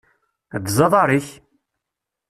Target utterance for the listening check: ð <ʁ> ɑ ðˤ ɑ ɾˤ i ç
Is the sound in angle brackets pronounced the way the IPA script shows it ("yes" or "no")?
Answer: no